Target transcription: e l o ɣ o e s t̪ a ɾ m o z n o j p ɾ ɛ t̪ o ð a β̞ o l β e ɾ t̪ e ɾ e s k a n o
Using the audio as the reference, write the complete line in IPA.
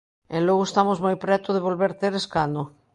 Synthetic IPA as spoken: e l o ɣ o e s t̪ a m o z m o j p ɾ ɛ t̪ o ð e β̞ o l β e ɾ t̪ e ɾ e s k a n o